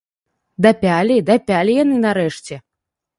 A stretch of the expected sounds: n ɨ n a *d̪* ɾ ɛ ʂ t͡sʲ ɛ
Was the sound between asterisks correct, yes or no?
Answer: no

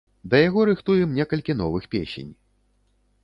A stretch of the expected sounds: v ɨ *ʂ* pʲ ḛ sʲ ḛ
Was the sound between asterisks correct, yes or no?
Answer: no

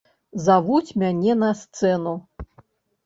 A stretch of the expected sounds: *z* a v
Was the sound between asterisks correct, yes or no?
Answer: yes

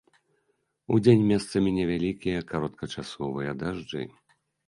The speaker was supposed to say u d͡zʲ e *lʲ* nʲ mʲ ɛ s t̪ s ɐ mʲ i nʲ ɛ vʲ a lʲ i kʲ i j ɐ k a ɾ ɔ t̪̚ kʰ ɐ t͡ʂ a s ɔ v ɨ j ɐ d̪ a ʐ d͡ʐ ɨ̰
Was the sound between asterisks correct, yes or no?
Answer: no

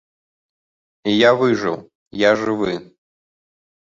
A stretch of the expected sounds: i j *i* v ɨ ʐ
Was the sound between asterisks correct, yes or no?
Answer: no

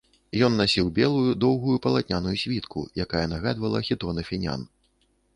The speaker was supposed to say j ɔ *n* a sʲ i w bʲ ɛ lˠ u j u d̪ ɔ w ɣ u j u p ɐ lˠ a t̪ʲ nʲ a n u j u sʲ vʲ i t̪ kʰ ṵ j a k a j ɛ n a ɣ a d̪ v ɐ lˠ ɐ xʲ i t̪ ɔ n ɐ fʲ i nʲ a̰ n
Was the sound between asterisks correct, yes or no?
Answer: no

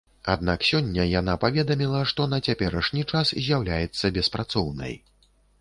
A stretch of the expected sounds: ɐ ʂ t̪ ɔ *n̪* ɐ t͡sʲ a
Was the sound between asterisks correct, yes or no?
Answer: yes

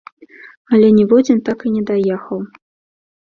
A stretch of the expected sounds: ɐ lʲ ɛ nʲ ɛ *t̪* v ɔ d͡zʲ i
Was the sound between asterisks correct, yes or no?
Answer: no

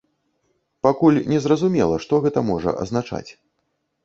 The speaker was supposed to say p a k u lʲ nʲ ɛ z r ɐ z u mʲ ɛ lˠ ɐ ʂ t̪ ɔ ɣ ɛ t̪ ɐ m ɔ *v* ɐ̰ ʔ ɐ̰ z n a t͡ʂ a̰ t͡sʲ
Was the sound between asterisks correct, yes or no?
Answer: no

